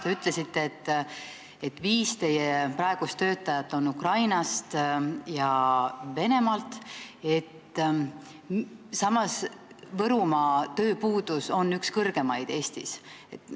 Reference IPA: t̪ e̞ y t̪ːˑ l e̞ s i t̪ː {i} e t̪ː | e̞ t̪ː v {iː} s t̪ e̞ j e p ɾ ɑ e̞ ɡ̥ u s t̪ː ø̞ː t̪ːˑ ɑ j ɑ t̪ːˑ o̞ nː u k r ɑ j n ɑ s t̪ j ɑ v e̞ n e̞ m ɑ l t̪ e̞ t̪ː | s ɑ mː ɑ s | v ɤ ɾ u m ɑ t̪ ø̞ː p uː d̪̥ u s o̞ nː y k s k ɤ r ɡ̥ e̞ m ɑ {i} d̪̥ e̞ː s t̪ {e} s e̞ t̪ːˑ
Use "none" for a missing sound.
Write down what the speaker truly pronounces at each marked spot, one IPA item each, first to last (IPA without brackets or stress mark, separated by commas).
e, iː, j, i